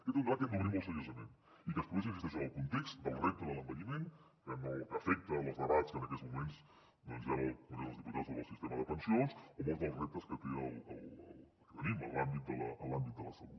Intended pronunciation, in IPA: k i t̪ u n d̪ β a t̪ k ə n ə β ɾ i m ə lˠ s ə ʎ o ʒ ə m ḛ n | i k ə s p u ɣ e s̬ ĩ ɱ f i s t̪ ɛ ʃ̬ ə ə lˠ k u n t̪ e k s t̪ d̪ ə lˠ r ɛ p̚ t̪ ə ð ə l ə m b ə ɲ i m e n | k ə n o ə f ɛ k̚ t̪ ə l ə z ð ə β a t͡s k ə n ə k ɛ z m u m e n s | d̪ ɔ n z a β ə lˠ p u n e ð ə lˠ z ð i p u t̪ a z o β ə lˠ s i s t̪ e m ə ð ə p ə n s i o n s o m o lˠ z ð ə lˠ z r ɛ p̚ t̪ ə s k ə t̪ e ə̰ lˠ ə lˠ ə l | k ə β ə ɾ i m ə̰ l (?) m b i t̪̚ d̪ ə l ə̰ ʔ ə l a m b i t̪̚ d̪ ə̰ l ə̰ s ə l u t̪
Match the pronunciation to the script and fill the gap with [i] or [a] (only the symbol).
a